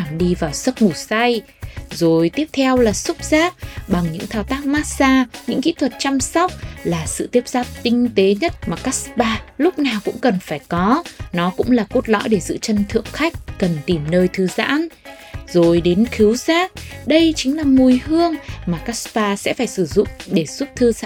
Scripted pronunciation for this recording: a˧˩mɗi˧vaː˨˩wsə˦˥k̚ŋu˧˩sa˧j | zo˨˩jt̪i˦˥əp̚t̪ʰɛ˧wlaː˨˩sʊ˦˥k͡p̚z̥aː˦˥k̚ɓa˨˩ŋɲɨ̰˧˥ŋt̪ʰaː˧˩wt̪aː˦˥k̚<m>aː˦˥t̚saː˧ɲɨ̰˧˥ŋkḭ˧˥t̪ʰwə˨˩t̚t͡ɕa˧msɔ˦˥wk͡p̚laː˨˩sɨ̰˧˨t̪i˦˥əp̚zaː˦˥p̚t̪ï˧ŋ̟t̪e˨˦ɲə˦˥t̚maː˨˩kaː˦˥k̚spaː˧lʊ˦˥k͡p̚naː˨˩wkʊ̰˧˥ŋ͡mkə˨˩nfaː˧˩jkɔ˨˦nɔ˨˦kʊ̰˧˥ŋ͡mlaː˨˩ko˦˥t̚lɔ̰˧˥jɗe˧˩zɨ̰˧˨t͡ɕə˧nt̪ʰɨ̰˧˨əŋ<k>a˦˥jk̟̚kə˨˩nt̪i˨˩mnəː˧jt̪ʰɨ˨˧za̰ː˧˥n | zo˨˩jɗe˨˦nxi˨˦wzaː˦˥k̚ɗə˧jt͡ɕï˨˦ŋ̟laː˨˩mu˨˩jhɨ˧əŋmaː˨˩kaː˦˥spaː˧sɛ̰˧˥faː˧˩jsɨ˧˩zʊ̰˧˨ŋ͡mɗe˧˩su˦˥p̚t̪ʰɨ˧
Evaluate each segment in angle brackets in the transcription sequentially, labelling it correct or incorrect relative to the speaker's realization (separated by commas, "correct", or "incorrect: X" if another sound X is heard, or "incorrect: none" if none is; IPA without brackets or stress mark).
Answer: correct, incorrect: x